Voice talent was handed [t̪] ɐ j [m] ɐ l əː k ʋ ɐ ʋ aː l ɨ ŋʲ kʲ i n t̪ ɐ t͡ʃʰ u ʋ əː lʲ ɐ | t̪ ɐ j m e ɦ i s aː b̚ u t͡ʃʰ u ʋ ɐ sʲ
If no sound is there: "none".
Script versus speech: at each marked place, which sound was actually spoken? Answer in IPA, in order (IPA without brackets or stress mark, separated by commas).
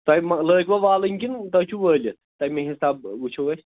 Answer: t̪, m